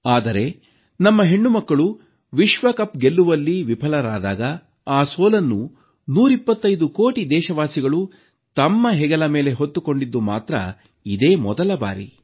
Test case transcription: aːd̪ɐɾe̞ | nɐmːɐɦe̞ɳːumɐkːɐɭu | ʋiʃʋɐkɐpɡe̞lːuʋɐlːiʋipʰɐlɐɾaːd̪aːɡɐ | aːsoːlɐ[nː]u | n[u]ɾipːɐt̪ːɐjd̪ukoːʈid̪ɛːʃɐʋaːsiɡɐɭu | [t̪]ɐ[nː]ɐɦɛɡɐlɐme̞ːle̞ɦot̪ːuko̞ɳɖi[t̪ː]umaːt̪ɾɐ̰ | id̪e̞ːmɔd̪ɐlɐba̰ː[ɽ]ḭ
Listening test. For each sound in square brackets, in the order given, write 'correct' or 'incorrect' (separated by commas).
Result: correct, incorrect, correct, incorrect, incorrect, incorrect